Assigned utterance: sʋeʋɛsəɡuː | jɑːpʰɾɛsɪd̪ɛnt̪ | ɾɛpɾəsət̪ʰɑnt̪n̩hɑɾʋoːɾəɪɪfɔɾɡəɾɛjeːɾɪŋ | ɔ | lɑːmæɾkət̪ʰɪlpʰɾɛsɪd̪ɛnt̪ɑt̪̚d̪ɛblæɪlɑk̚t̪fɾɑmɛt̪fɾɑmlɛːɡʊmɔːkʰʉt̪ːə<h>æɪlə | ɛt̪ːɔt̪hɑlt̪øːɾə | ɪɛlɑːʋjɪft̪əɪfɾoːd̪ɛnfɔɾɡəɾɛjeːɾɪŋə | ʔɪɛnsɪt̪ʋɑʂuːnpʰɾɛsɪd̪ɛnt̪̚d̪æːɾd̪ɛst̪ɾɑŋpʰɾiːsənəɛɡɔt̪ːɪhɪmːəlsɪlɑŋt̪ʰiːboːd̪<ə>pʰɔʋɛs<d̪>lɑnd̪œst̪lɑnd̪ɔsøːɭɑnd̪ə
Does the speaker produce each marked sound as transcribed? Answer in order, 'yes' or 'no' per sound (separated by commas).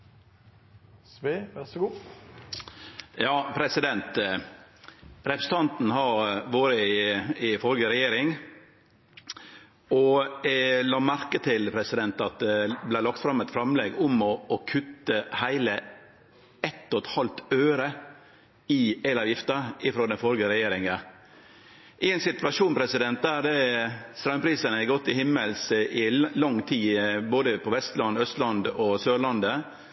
yes, yes, no